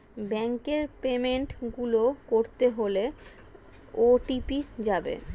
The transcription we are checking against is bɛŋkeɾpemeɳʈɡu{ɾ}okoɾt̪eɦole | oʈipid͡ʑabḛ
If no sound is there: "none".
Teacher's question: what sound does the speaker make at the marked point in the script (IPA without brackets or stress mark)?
l